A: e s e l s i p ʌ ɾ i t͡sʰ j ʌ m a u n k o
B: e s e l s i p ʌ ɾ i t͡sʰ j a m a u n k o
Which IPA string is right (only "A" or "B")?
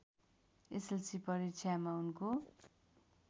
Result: B